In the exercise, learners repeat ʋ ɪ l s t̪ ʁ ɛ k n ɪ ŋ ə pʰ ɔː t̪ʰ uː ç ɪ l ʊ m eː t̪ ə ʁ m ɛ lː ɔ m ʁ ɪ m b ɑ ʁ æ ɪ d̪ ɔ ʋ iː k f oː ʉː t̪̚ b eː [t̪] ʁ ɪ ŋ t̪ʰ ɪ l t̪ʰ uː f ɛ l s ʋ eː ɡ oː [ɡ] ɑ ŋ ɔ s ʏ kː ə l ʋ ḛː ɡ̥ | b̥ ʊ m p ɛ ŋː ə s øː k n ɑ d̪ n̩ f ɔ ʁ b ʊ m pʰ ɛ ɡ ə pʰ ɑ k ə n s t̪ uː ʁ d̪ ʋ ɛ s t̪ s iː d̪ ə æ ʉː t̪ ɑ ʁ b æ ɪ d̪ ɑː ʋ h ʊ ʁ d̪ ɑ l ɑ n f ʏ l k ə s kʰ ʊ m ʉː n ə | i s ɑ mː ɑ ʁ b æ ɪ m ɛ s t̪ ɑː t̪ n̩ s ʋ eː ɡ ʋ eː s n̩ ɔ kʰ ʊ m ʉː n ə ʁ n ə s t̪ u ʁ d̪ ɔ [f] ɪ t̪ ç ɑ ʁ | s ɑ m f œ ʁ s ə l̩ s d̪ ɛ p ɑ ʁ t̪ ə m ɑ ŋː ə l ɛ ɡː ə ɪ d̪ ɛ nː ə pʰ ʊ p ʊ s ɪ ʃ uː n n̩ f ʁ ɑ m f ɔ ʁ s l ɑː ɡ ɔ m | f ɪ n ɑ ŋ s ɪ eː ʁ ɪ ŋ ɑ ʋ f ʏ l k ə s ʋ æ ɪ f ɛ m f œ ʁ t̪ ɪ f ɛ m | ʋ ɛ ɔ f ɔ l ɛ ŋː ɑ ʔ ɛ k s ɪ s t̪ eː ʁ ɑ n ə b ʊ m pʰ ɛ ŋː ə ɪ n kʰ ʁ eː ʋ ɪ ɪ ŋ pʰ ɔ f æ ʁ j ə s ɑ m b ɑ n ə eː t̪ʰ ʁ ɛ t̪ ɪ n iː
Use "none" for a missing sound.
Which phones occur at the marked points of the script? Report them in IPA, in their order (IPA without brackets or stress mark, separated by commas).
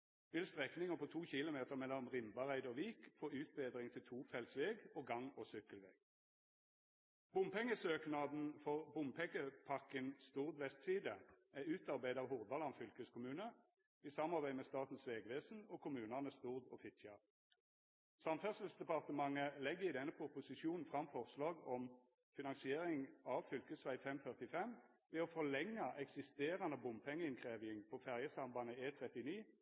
d̪, ɡ, f